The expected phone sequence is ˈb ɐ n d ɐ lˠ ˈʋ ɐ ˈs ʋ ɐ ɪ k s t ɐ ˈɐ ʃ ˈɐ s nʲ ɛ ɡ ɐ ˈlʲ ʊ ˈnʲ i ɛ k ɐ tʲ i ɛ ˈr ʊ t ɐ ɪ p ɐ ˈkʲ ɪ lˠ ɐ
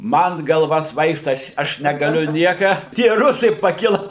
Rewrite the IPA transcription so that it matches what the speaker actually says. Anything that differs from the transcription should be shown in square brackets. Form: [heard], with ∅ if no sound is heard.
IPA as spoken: [ˈm] ɐ n [ɡ] ɐ lˠ ˈʋ ɐ ˈs ʋ ɐ ɪ k s t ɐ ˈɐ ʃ ˈɐ [ʃ] nʲ ɛ ɡ ɐ ˈlʲ ʊ ˈnʲ i ɛ k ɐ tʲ i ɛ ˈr ʊ [s] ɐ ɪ p ɐ ˈkʲ ɪ lˠ ɐ